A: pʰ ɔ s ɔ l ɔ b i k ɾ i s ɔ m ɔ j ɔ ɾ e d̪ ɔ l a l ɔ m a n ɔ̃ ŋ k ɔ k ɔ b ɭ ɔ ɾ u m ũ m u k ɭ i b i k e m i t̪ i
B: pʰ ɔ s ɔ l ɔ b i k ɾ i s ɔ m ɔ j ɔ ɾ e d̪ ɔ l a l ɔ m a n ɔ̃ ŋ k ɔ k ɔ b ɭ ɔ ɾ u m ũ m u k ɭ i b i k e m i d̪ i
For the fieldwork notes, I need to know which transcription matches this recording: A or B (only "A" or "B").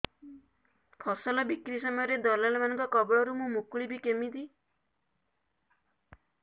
B